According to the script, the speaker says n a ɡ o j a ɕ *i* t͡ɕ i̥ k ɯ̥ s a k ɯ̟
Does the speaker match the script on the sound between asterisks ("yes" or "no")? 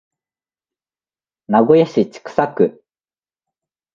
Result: yes